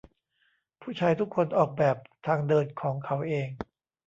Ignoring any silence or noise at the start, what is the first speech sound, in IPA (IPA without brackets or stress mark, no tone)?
pʰ